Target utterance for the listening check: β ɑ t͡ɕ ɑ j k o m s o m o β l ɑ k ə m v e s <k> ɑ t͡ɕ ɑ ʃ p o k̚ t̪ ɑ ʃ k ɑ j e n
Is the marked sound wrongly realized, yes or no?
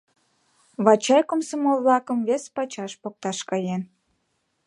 yes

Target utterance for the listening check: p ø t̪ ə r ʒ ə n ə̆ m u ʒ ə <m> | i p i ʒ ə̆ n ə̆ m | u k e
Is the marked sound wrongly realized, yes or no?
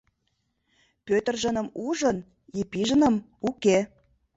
yes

